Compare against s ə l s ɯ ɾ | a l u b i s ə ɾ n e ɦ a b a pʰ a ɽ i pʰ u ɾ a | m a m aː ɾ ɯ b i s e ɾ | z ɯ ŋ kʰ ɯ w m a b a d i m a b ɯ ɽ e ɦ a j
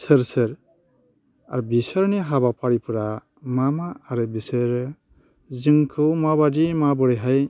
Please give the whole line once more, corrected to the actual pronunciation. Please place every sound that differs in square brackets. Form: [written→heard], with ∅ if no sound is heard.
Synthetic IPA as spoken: s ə [l→ɾ] s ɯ ɾ | a [l→ɾ] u b i s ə ɾ n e ɦ a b a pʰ a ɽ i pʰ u ɾ a | m a m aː ɾ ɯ b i s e ɾ | z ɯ ŋ kʰ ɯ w m a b a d i m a b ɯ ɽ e ɦ a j